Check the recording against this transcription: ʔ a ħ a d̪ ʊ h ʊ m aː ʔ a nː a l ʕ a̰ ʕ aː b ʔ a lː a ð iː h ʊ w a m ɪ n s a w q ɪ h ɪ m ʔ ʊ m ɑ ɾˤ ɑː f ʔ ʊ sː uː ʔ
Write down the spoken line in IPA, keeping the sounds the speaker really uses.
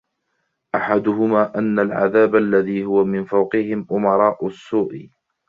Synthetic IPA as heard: ʔ a ħ a d̪ ʊ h ʊ m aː ʔ a nː a l ʕ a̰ ð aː b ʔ a lː a ð iː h ʊ w a m ɪ n f a w q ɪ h ɪ m ʔ ʊ m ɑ ɾˤ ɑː ʔ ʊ sː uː ʔ